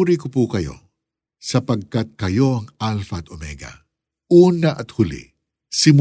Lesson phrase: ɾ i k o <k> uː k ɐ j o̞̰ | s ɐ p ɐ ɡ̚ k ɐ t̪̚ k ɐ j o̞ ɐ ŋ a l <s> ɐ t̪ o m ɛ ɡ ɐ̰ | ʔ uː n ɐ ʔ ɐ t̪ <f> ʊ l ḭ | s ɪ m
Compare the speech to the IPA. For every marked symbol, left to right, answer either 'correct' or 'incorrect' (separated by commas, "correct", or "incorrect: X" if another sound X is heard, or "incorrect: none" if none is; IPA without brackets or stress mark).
incorrect: p, incorrect: f, incorrect: h